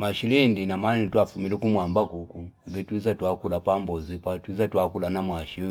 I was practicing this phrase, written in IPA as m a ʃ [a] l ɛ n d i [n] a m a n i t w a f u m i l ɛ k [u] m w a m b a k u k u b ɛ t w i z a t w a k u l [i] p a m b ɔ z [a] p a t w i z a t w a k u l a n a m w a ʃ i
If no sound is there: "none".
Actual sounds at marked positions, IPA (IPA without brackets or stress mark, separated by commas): i, n, u, a, i